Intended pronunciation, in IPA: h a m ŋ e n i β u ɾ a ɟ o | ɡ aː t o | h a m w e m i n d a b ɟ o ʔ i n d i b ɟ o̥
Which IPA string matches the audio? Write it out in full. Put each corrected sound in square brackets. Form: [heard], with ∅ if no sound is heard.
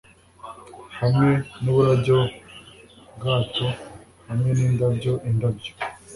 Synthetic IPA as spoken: h a m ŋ e n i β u ɾ a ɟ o | ɡ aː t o | h a m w e [n] i n d a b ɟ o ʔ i n d [a] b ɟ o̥